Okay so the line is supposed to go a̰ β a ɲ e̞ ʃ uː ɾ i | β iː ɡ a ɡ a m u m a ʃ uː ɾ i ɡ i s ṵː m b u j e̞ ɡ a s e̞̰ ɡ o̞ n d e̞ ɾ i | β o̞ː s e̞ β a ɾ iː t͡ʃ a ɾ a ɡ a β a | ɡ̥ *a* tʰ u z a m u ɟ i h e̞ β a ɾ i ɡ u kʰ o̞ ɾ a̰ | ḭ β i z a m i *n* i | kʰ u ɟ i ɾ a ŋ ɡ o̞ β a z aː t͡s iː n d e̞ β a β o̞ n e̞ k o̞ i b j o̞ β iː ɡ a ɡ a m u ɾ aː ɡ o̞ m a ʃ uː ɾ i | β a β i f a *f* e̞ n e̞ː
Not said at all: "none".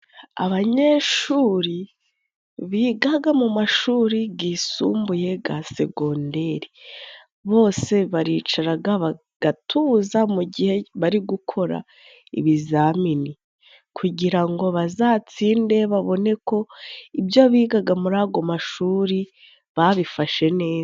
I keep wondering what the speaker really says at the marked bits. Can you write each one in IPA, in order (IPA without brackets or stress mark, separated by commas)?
a, n, ʃ